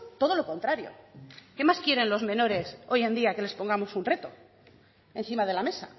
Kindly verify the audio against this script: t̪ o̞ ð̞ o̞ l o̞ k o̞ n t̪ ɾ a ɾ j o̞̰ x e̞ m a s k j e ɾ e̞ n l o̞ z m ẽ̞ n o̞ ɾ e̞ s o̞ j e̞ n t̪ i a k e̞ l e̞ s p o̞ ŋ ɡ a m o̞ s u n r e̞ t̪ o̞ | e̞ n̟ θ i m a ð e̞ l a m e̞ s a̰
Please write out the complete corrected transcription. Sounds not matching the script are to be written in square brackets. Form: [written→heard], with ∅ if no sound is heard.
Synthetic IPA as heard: t̪ o̞ ð̞ o̞ l o̞ k o̞ n t̪ ɾ a ɾ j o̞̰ [x→k] e̞ m a s k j e ɾ e̞ n l o̞ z m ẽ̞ n o̞ ɾ e̞ s o̞ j e̞ n [t̪→d̪] i a k e̞ l e̞ s p o̞ ŋ ɡ a m o̞ s u n r e̞ t̪ o̞ | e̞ n̟ θ i m a ð e̞ l a m e̞ s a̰